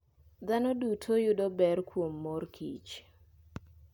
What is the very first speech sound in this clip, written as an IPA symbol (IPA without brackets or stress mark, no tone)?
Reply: d̪